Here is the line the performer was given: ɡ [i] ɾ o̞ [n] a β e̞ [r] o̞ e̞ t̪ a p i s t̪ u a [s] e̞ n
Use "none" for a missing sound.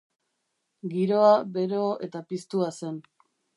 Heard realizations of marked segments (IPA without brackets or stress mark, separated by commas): i, none, ɾ, s